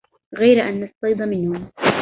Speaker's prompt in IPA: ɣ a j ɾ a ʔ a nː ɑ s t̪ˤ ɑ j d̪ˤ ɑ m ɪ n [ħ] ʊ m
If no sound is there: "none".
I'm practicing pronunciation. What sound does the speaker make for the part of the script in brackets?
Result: h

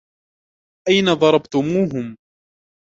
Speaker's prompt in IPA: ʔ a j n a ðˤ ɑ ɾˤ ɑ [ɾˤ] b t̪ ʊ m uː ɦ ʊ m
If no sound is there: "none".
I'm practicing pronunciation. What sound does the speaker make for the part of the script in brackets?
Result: none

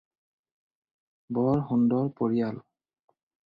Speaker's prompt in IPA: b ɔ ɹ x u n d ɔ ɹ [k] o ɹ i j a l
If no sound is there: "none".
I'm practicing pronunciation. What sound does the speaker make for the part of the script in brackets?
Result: p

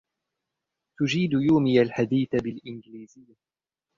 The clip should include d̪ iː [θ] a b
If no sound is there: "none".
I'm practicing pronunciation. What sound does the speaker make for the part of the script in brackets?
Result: θ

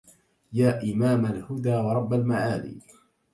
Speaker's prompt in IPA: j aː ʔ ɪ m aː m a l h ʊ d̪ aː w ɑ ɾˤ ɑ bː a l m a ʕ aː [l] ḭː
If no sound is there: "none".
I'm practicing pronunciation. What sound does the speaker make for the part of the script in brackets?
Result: l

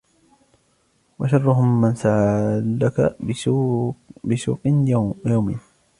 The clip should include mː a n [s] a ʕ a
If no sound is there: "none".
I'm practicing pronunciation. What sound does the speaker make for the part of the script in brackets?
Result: s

